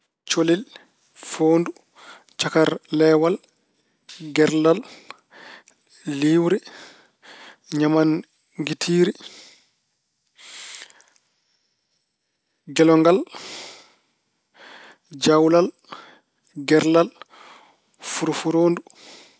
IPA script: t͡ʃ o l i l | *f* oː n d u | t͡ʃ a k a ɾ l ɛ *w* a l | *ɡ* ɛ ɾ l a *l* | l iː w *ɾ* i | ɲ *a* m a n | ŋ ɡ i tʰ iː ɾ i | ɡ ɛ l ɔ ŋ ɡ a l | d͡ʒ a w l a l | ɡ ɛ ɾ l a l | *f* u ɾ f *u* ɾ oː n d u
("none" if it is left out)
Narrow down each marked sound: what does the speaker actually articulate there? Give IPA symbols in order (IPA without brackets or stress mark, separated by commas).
f, w, ɡ, l, ɾ, a, f, u